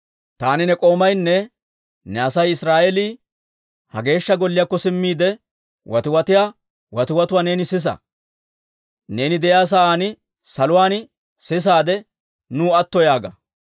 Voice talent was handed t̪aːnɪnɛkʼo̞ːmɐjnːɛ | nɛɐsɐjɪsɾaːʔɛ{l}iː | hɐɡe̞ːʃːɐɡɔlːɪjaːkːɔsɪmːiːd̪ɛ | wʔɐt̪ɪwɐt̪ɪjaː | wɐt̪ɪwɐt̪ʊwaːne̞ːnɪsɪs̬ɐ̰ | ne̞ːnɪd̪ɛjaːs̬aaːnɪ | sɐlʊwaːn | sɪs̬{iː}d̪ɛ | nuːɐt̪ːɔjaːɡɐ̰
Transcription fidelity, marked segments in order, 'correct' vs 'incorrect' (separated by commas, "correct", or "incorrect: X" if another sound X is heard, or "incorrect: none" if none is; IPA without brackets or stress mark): correct, incorrect: aː